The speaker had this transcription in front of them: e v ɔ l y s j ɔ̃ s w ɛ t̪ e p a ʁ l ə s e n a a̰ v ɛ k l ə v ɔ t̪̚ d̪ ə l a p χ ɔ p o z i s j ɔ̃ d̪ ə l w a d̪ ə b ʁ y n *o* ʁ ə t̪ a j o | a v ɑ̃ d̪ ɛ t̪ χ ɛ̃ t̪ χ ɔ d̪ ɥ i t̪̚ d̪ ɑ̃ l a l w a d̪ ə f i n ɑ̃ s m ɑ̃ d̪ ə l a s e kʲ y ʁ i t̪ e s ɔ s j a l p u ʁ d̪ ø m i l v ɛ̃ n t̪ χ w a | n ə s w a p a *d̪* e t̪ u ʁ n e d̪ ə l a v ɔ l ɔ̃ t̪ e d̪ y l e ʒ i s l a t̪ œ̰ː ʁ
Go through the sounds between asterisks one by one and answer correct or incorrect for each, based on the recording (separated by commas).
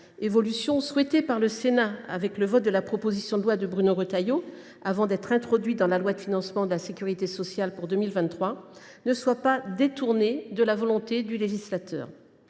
correct, correct